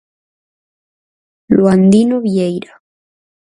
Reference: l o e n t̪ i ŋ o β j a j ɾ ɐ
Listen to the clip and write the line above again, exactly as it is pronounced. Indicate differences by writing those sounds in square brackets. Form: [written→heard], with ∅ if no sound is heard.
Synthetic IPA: l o [e→a] n [t̪→d̪] i [ŋ→n] o β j [a→e] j ɾ [ɐ→a]